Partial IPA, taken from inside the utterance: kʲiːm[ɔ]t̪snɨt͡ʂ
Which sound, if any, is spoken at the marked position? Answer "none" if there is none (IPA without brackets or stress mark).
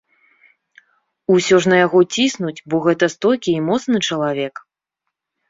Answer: ɔ